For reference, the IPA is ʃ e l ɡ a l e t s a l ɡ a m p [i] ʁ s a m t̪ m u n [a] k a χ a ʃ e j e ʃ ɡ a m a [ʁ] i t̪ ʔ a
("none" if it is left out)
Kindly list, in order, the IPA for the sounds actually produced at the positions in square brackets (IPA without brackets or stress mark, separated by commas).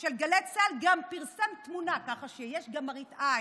i, a, ʁ